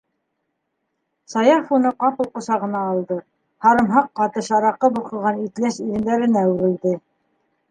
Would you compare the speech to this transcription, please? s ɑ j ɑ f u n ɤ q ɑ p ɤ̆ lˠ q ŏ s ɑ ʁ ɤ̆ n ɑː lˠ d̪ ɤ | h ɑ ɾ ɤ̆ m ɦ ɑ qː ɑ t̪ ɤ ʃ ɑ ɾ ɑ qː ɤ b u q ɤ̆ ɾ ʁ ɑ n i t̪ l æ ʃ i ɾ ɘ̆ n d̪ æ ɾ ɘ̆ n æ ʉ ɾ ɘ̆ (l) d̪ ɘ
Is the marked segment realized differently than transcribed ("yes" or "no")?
no